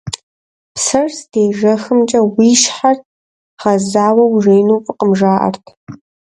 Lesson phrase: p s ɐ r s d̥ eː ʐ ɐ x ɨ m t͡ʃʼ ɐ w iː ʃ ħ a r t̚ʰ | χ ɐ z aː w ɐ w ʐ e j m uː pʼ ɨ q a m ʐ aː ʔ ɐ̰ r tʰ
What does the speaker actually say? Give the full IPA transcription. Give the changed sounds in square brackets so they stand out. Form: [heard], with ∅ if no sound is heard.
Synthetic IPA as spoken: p s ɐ r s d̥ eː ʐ ɐ x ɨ m t͡ʃʼ ɐ w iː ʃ ħ a r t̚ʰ | χ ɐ z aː w ɐ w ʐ e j [n] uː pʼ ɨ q [ə] m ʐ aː ʔ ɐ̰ r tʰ